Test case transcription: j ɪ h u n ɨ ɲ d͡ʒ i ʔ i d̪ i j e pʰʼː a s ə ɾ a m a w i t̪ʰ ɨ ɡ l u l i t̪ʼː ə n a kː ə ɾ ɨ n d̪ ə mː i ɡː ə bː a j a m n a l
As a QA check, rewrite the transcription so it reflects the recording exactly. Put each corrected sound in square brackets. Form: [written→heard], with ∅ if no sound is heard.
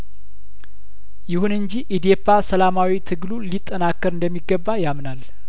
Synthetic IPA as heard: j ɪ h u n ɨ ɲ d͡ʒ i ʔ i d̪ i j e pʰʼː a s ə [ɾ→l] a m a w i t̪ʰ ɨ ɡ l u l i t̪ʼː ə n a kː ə ɾ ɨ n d̪ ə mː i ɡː ə bː a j a m n a l